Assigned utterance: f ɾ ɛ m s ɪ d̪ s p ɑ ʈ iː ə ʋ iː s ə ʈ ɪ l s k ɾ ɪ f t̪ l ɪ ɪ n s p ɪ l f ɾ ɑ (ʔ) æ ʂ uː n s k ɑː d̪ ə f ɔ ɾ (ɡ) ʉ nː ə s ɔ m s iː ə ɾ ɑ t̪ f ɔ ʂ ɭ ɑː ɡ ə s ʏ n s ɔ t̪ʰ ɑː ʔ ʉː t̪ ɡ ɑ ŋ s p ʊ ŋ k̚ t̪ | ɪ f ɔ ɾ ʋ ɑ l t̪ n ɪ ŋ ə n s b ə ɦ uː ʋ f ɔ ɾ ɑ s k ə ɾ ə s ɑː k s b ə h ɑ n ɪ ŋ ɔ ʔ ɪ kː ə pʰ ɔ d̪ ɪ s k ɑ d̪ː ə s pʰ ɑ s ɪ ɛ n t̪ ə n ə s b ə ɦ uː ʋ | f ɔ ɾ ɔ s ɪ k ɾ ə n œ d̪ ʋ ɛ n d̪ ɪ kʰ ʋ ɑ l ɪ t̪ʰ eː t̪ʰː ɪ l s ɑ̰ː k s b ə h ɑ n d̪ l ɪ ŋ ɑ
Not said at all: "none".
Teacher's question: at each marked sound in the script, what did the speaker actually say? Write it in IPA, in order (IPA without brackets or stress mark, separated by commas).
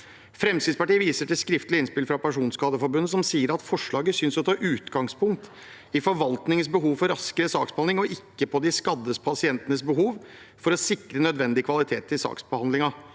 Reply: p, b